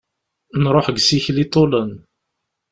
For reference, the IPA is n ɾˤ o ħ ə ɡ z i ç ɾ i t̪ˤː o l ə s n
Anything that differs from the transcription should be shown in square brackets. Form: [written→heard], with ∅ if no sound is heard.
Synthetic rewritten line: n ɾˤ o ħ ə ɡ [z→s] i ç [ɾ→l] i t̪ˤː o l ə [s→∅] n